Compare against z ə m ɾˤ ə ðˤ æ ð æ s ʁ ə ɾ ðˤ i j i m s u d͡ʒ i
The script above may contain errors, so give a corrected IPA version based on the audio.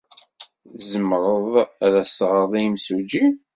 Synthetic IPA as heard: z ə m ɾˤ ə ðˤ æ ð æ s ʁ ə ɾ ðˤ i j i m s u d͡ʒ i